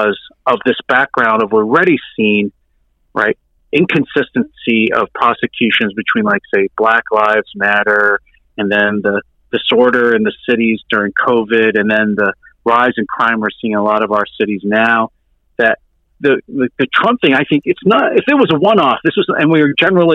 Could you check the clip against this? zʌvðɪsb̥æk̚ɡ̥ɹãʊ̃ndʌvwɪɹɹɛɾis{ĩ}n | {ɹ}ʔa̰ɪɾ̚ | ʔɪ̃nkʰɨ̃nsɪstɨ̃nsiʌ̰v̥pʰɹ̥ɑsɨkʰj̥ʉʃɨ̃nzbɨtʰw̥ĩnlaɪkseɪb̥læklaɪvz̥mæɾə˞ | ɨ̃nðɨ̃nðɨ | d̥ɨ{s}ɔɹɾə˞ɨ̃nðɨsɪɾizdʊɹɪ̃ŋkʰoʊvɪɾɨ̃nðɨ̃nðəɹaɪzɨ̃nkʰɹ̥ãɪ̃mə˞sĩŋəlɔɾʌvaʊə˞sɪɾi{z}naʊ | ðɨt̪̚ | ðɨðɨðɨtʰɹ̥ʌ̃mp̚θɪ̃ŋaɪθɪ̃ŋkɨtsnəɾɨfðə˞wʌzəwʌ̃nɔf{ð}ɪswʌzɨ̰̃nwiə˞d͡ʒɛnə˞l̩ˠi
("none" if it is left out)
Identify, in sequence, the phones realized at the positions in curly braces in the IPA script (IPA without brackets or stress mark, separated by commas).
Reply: ĩ, ɹ, s, z, ð